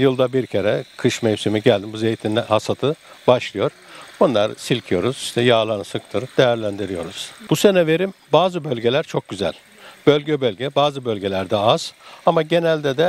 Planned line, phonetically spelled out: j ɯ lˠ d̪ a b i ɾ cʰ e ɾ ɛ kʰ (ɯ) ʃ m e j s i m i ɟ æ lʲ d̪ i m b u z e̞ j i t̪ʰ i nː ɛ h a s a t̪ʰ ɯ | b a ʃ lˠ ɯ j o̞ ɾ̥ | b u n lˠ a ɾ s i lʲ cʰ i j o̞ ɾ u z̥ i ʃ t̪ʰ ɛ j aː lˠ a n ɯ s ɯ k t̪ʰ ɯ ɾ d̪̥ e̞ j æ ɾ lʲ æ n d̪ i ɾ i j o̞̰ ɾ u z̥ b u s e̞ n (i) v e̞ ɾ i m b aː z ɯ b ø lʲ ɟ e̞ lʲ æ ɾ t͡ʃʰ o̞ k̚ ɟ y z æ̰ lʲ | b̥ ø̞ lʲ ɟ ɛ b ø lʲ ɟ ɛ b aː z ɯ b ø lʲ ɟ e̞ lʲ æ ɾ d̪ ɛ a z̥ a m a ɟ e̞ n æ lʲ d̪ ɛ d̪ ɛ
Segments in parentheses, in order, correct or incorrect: correct, incorrect: ɛ

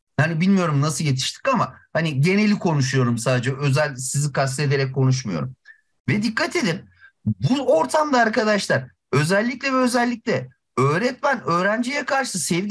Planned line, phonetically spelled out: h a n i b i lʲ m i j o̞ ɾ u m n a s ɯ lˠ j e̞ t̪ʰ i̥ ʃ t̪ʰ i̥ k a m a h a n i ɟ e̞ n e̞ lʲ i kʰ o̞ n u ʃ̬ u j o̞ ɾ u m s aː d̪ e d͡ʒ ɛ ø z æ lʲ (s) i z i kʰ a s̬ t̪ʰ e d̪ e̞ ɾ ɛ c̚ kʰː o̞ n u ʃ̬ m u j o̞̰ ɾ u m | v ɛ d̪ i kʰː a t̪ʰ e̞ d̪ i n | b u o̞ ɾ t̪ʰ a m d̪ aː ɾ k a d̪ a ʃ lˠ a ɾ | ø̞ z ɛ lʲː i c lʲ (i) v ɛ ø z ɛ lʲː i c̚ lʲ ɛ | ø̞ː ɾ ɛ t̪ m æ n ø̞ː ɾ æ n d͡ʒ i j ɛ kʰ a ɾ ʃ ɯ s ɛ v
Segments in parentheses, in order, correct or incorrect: correct, incorrect: ɛ

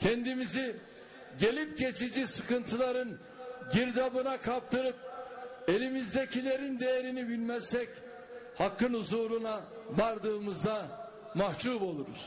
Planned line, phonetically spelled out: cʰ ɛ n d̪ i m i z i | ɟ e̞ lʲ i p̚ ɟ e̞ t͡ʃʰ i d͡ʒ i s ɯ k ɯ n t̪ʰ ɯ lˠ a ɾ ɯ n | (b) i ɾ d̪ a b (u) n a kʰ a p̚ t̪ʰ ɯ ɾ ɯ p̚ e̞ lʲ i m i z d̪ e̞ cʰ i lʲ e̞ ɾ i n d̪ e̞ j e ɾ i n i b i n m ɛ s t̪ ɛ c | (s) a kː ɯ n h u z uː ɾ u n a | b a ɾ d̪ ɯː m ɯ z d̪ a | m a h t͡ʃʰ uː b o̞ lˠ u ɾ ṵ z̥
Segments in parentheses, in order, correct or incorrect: incorrect: ɟ, incorrect: ɯ, incorrect: h

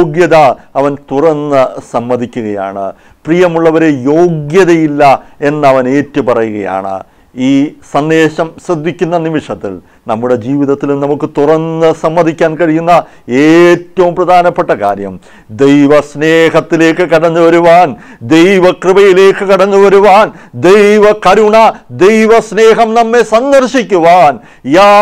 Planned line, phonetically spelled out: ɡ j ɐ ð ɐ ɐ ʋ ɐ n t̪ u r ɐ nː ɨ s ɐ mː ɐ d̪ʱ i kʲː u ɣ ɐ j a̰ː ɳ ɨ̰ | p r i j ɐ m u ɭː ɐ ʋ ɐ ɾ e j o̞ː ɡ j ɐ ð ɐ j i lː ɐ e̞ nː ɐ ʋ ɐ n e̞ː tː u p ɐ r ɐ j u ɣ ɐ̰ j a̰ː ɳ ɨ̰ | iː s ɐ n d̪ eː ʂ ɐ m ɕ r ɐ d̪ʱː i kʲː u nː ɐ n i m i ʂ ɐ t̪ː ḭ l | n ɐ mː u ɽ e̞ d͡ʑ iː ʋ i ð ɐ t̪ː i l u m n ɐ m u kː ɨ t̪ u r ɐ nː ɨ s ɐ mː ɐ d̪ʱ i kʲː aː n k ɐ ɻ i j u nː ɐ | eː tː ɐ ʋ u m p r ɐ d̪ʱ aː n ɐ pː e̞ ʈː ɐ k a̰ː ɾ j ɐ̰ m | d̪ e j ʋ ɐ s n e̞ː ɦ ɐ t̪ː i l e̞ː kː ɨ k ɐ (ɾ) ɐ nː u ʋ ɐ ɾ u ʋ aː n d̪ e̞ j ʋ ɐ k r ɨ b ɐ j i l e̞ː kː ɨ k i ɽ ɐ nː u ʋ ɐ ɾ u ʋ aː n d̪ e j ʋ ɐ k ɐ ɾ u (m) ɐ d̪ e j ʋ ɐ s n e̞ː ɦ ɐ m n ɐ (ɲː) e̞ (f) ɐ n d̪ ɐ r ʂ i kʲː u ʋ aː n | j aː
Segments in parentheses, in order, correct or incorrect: incorrect: ɽ, incorrect: ɳ, incorrect: mː, incorrect: s

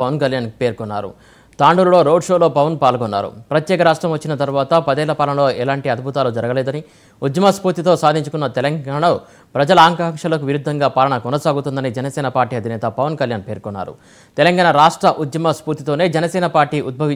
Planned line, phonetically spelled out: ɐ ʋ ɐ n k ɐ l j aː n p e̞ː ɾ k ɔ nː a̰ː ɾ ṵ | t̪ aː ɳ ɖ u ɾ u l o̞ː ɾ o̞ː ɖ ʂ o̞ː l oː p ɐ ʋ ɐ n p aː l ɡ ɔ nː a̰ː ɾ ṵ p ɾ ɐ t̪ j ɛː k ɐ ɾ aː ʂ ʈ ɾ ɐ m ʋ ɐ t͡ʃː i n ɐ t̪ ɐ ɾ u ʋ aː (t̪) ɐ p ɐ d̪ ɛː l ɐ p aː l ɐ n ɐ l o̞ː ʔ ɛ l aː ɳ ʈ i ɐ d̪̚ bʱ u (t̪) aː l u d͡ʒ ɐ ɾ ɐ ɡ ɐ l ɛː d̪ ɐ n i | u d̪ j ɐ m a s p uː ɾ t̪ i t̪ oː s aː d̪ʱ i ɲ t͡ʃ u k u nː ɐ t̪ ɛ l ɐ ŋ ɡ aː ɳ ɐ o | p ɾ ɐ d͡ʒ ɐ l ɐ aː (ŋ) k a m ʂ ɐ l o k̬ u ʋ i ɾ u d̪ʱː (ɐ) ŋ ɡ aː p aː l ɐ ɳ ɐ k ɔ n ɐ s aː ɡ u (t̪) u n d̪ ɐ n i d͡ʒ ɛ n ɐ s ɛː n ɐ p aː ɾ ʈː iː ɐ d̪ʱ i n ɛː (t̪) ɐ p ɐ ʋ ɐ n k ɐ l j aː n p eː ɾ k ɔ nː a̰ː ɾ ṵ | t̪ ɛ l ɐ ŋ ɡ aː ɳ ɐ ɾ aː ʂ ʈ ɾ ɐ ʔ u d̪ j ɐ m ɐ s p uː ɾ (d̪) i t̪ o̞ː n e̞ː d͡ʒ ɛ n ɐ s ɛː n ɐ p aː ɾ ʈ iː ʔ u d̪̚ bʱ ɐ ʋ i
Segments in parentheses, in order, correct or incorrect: correct, correct, correct, correct, correct, correct, incorrect: t̪

